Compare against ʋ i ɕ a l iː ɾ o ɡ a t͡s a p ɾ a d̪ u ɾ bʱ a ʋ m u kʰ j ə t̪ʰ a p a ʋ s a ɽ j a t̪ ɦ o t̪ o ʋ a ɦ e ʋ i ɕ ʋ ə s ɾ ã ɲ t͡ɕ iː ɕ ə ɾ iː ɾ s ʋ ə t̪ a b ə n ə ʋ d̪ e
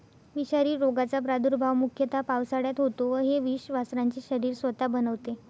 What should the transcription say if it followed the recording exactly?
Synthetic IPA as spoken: ʋ i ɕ a ɾ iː ɾ o ɡ a t͡s a p ɾ a d̪ u ɾ bʱ a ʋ m u kʰ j ə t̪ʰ a p a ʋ s a ɽ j a t̪ ɦ o t̪ o ʋ ə ɦ e ʋ i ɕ ʋ a s ɾ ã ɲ t͡ɕ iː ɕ ə ɾ iː ɾ s ʋ ə t̪ a b ə n ə ʋ t̪ e